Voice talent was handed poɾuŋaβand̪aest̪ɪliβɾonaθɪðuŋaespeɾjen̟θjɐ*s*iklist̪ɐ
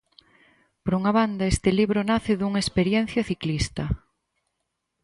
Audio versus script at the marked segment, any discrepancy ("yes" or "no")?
yes